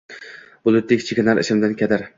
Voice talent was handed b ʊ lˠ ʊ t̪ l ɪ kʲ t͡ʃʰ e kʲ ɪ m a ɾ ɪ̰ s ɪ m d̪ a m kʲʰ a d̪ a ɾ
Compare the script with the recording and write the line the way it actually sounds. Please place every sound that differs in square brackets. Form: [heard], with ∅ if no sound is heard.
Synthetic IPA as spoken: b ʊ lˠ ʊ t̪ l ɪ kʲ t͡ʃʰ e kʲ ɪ [n] a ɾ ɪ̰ [ʃ] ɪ m d̪ a [n] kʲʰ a d̪ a ɾ